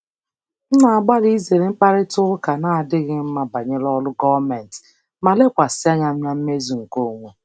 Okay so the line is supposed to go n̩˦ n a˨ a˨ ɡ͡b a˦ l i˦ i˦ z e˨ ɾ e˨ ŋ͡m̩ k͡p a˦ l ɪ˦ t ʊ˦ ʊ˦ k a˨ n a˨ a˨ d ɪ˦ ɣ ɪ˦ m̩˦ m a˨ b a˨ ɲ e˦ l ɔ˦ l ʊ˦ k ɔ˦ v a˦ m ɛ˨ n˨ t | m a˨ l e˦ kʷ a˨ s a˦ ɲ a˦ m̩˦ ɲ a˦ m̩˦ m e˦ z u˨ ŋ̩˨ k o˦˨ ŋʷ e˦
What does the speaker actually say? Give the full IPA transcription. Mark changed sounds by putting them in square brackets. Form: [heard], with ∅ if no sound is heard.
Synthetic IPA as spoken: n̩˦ n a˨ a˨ ɡ͡b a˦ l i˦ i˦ z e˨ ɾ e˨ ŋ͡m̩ k͡p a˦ [ɾ] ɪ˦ t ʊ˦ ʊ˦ k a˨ n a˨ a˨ d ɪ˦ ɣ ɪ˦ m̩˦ m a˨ b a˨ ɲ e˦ l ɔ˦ l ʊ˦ [ɡ] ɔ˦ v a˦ m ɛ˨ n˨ t | m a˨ l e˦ kʷ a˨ s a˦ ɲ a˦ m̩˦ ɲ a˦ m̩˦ m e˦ z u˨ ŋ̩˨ k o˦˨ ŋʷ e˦